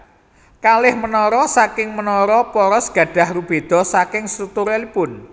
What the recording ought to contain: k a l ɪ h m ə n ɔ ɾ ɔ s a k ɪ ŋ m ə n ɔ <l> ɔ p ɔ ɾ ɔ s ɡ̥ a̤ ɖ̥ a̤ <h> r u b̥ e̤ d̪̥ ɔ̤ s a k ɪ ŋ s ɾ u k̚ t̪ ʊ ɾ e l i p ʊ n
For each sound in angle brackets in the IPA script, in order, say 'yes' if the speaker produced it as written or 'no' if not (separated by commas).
no, yes